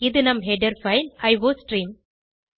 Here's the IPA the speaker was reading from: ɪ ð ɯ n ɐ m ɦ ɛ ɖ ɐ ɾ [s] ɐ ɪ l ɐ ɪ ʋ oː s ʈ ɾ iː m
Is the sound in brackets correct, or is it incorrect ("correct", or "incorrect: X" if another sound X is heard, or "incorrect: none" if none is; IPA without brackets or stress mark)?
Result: incorrect: f